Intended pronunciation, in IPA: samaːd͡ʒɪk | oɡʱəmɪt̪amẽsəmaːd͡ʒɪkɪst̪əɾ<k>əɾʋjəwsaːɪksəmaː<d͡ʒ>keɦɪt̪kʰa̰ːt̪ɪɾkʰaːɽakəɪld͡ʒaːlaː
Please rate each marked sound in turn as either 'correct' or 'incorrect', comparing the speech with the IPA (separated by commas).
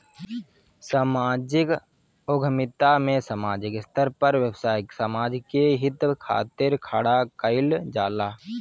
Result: incorrect, correct